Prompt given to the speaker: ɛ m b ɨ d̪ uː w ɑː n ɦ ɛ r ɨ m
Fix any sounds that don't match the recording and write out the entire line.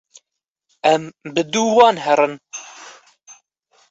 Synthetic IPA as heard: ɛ m b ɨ d̪ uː w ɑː n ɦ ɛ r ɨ n